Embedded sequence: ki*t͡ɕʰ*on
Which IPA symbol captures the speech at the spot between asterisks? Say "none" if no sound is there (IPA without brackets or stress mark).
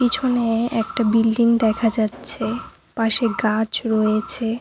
t͡ɕʰ